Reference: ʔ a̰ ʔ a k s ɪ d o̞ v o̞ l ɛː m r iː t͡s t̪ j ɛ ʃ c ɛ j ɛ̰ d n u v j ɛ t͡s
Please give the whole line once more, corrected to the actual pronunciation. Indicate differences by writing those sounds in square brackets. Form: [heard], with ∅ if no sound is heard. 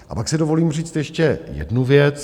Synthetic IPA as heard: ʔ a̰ [p] a k s ɪ d o̞ v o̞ l [iː] m r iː t͡s t̪ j ɛ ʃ c ɛ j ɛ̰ d n u v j ɛ t͡s